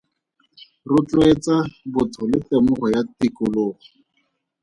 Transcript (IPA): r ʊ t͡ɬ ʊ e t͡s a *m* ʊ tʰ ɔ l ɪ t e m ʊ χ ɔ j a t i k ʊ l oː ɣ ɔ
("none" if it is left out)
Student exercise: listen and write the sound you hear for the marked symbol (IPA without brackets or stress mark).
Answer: b